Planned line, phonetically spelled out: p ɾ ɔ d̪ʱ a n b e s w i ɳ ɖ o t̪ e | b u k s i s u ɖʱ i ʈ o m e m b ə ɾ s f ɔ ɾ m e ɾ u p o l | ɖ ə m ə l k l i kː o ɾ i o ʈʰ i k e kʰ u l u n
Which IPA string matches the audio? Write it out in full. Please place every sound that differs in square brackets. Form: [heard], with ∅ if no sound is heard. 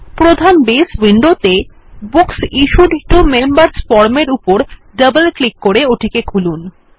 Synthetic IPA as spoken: p ɾ [o] d̪ʱ a n b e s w i ɳ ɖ o t̪ e | b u k s i [ʃ] u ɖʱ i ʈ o m e m b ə ɾ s f ɔ ɾ m e ɾ u p o [ɾ] | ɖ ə [b] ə l k l i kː o ɾ [e] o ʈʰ i k e kʰ u l u n